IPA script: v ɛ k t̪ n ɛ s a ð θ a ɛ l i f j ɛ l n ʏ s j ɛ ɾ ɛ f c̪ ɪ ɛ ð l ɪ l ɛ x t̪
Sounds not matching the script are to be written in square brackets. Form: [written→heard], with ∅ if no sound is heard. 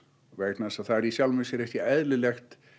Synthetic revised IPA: v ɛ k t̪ n [ɛ→a] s a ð θ a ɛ [l→ɾ] i [f→s] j [ɛ→a] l [n→m] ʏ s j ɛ ɾ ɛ [f→h] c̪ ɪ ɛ ð l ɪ l ɛ x t̪